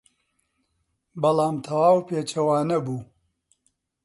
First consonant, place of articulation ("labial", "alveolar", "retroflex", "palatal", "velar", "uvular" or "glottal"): labial